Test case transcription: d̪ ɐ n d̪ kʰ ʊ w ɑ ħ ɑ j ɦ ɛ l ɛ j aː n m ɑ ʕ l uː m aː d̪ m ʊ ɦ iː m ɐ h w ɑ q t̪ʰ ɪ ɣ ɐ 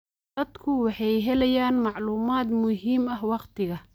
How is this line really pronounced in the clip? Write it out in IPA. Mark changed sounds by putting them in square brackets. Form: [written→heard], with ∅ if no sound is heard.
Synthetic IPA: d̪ ɐ [n→∅] d̪ kʰ ʊ w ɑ ħ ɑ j ɦ ɛ l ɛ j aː n m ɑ ʕ l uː m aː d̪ m ʊ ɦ iː m ɐ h w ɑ q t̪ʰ ɪ ɣ ɐ